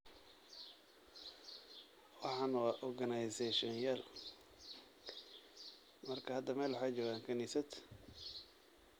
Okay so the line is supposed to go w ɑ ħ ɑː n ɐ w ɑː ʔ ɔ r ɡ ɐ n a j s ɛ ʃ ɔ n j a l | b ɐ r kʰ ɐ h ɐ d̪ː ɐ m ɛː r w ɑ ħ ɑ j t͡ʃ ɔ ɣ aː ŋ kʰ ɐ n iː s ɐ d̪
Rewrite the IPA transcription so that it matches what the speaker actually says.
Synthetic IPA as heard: w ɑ ħ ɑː n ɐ w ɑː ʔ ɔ r ɡ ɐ n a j s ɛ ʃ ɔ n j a l | m ɐ r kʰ ɐ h ɐ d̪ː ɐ m ɛː l w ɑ ħ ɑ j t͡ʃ ɔː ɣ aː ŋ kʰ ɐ n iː s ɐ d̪